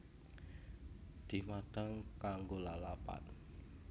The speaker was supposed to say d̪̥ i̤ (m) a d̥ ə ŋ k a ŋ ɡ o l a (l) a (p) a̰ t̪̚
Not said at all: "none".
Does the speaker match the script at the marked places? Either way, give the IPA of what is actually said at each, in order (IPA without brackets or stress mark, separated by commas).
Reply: m, l, p